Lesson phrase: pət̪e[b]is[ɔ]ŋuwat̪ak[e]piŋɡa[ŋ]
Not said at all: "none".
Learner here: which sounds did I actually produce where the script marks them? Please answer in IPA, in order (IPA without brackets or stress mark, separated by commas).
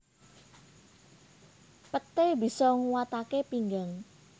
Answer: b, ɔ, e, ŋ